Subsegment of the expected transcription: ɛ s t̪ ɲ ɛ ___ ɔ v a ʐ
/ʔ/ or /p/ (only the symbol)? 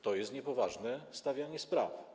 p